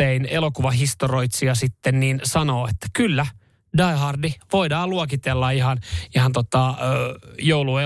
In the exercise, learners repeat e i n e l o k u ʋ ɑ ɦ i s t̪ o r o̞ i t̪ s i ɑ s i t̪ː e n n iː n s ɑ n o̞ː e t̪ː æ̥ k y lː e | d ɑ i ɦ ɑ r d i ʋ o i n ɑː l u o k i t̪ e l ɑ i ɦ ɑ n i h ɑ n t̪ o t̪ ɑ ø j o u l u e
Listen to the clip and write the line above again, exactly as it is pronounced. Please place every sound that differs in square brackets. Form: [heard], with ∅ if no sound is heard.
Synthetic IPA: e i n e l o k u ʋ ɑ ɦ i s t̪ o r o̞ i t̪ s i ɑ s i t̪ː e n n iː n s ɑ n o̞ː e t̪ː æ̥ k y lː [æ] | d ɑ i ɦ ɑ r d i ʋ o i [d] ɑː l u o k i t̪ e [lː] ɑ i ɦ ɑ n i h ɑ n t̪ o t̪ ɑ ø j o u l u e